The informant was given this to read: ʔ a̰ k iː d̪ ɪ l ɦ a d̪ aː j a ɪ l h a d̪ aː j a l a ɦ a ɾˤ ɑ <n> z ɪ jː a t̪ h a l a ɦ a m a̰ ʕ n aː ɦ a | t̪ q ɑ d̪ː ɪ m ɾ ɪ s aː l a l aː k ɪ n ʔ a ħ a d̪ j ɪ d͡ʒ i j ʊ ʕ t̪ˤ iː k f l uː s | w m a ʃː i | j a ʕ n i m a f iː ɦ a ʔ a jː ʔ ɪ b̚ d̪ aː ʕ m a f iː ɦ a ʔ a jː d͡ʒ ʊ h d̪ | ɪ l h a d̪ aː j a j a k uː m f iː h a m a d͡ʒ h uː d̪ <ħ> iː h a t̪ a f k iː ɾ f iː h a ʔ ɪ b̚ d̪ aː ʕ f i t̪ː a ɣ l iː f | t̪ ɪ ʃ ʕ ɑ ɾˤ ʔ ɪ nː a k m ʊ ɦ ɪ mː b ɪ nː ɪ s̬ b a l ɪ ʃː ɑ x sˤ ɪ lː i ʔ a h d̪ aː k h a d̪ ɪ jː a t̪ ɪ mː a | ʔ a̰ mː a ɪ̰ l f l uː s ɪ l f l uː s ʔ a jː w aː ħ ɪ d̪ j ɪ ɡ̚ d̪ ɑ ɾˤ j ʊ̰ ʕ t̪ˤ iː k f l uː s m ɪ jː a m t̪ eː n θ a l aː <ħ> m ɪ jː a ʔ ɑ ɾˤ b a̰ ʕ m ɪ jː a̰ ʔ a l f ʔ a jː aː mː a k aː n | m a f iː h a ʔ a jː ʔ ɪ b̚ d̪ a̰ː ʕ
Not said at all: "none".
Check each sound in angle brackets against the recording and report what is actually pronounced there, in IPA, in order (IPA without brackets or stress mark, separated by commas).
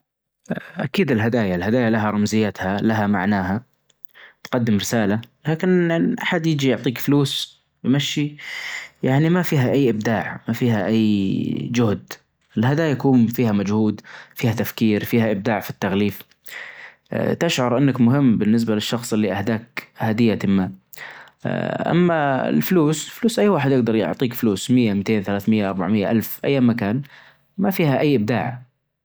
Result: m, f, θ